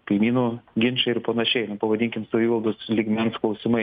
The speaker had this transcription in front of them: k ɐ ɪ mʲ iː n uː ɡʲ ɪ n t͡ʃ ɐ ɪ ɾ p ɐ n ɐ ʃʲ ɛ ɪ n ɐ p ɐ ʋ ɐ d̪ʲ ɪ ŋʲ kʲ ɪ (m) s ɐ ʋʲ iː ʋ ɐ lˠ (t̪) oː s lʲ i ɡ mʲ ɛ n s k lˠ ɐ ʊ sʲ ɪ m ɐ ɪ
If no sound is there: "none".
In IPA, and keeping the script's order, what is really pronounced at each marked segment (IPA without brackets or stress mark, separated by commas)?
m, d̪